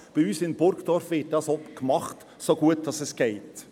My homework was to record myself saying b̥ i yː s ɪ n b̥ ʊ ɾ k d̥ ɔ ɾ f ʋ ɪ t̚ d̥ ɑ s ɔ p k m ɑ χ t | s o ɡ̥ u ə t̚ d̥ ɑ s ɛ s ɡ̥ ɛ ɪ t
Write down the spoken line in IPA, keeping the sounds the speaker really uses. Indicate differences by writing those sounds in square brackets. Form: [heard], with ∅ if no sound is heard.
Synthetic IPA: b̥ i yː s ɪ n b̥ ʊ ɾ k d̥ ɔ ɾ f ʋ ɪ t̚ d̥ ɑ s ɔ p k m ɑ χ t | s o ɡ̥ u ə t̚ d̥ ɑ s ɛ s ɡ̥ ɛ ɪ t